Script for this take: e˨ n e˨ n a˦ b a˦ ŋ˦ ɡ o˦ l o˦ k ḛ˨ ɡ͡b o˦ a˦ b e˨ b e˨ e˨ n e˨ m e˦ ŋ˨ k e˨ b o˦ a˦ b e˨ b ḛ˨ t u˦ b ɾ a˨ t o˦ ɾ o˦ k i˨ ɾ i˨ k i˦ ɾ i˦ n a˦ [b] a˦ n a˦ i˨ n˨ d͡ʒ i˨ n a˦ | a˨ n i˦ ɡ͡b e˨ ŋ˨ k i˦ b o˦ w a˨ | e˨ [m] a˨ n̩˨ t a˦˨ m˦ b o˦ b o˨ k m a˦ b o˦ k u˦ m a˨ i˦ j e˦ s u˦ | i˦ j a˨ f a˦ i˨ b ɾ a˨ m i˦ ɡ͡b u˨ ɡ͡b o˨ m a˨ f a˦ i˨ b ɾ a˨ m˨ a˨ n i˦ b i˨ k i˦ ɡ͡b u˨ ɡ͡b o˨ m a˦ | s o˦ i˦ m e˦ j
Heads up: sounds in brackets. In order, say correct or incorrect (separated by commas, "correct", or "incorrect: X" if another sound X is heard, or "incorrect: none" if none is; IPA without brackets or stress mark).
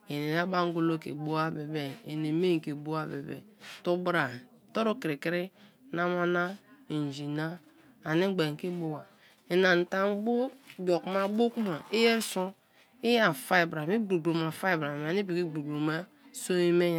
incorrect: m, incorrect: n